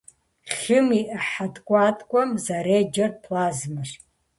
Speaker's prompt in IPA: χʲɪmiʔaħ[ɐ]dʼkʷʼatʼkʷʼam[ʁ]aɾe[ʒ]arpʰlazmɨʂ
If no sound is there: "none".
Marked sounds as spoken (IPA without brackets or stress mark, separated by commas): a, z, d͡ʒ